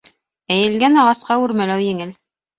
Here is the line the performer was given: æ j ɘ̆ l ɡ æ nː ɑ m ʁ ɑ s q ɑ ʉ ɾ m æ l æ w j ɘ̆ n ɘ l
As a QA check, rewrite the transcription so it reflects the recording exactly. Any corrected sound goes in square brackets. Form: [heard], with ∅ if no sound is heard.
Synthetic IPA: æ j ɘ̆ l ɡ æ [n] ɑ [∅] ʁ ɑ s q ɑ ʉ ɾ m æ l æ w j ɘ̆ [ŋ] ɘ l